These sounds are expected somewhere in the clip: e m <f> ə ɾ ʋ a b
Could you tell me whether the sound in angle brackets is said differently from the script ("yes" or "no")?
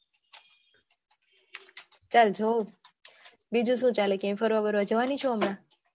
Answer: no